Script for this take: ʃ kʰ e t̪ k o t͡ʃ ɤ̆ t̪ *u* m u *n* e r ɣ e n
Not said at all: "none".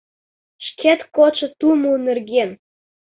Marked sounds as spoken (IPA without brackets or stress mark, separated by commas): u, n